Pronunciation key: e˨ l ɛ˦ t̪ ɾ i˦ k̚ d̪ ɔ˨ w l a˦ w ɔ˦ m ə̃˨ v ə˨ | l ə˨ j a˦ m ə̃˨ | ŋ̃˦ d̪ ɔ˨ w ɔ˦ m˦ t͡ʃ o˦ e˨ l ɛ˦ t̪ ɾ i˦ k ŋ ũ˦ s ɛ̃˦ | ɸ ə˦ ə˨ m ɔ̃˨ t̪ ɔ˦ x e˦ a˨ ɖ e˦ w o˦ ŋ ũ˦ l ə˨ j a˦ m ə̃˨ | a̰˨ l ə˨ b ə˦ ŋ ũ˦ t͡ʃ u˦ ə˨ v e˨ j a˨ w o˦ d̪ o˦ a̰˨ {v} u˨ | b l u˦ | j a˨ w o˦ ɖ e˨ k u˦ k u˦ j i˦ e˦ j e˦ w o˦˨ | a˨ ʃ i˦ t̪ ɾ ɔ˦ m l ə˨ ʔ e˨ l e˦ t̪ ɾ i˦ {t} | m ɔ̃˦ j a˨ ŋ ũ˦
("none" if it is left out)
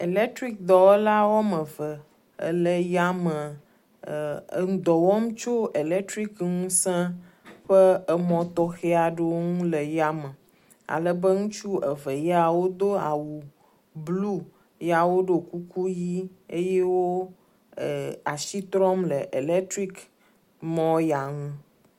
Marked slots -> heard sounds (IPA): w, k

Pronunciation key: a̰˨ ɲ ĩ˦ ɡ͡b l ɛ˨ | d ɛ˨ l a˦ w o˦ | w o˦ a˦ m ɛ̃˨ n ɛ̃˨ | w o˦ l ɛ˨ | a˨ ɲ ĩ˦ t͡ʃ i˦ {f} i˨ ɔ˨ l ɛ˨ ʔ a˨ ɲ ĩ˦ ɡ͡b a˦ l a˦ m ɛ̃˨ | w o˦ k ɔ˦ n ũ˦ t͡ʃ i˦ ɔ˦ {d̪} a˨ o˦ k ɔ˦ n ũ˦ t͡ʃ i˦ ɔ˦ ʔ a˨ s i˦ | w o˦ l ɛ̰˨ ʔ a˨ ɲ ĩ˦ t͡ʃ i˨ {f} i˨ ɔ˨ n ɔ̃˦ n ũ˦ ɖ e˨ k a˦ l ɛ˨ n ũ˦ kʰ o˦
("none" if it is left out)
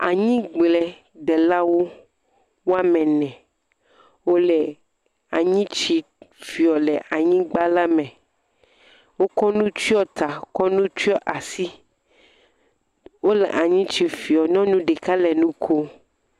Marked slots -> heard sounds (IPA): f, t̪, f

